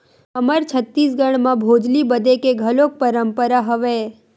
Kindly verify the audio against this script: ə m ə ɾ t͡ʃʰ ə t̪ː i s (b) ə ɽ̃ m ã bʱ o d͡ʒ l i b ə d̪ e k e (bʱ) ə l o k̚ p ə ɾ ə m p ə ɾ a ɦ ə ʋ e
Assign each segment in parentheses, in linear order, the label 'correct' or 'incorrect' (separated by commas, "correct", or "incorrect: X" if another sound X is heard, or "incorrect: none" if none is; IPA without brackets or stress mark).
incorrect: ɡ, incorrect: ɡʱ